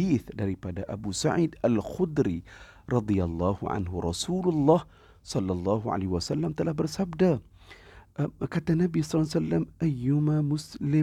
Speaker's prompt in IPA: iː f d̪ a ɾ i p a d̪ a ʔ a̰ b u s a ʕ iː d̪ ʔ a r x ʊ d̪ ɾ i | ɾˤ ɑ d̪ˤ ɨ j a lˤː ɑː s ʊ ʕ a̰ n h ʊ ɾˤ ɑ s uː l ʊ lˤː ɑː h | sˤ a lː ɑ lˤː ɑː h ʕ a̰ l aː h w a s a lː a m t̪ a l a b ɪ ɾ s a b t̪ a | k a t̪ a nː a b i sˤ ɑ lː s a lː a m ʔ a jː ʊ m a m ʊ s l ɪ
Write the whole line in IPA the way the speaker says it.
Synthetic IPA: iː θ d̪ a ɾ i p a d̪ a ʔ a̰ b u s a ʕ iː d̪ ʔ a l x ʊ d̪ ɾ i | ɾˤ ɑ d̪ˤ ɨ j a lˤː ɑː h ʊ ʕ a̰ n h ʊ ɾˤ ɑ s uː l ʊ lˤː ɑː h | sˤ ɑ lː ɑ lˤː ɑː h ʕ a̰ l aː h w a s a lː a m t̪ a l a b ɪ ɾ s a b d̪ a | k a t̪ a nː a b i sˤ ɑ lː s a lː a m ʔ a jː ʊ m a m ʊ s l ɪ